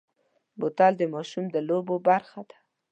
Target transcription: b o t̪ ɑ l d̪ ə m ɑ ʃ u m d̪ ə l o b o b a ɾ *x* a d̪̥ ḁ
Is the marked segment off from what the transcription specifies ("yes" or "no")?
no